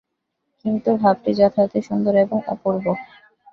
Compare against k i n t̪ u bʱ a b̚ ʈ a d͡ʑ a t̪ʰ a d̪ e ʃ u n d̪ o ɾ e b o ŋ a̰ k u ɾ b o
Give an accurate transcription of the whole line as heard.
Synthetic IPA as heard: k i n t̪ u bʱ a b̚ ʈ i d͡ʑ a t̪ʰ a t̪ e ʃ u n d̪ o ɾ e b o ŋ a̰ p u ɾ b o